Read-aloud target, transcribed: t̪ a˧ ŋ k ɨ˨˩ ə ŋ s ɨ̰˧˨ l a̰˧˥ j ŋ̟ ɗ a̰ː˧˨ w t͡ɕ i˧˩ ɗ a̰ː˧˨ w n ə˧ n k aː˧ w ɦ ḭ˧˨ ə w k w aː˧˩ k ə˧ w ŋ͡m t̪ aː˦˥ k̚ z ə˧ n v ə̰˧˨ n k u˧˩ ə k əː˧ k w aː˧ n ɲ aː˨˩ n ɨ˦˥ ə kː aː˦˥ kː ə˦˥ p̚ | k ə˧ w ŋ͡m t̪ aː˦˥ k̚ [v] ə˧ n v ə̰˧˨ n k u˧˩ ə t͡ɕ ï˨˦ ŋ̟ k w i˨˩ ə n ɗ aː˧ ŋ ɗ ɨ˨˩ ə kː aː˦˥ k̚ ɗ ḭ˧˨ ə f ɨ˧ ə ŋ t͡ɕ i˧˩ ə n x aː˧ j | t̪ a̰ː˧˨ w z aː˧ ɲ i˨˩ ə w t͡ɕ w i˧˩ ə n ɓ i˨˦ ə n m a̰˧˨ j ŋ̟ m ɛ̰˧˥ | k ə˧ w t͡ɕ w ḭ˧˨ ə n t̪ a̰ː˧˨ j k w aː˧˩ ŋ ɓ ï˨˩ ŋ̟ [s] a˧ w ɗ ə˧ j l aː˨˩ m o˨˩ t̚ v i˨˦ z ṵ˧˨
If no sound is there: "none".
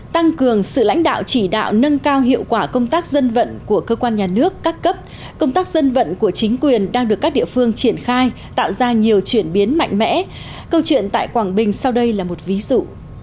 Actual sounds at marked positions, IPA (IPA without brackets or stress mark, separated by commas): z, s